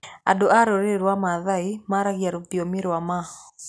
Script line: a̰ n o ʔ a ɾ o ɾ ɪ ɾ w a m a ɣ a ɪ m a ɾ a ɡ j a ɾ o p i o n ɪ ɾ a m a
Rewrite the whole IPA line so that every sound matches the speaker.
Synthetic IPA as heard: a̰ d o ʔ a ɾ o ɾ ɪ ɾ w a m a ð a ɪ m a ɾ a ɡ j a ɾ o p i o m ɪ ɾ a m a